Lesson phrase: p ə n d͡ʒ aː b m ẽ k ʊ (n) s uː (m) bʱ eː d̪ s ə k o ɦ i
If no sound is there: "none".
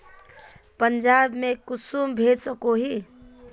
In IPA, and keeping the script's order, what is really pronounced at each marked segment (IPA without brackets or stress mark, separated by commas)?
none, m